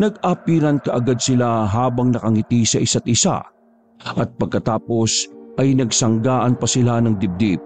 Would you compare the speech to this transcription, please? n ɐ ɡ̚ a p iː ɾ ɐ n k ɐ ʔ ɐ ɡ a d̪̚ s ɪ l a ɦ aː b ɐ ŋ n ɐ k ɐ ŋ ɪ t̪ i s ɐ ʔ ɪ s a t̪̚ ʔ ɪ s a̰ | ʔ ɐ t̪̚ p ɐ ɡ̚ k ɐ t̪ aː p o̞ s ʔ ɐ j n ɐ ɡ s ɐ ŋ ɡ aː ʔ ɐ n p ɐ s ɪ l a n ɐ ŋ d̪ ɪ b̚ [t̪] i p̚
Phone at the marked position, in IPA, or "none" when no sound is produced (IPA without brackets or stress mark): d̪